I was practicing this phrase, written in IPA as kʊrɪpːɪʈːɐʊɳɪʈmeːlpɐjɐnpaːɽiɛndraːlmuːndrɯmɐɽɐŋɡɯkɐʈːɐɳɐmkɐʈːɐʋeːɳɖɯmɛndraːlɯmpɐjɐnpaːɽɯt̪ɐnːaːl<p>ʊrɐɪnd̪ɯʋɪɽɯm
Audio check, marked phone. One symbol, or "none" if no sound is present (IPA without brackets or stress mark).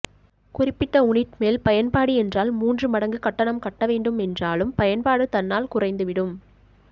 k